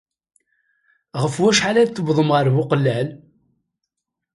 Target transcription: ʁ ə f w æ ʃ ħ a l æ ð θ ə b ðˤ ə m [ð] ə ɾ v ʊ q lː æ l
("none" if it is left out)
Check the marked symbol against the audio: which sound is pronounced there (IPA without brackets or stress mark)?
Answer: ʁ